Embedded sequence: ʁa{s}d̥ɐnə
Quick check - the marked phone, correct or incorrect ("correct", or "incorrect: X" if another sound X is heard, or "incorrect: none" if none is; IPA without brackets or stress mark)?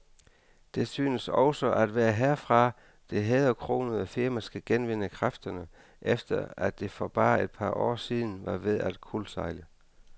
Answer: incorrect: f